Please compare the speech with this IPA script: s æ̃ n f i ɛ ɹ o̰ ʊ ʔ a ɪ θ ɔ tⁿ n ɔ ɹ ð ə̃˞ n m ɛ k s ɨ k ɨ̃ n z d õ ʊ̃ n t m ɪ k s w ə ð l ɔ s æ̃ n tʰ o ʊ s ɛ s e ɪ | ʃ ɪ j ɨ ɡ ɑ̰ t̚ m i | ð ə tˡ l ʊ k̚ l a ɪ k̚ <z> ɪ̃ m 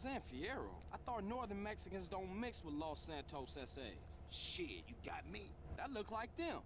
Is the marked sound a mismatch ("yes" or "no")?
yes